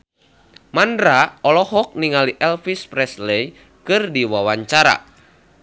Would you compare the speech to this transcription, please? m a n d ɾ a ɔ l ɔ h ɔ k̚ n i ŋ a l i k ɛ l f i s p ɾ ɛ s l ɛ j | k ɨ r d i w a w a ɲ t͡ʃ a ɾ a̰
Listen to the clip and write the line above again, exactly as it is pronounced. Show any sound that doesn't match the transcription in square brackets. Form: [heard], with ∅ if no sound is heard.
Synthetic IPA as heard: m a n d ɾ a ɔ l ɔ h ɔ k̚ n i ŋ a l i [ʔ] ɛ l f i s p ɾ ɛ s l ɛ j | k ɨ r d i w a w a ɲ t͡ʃ a ɾ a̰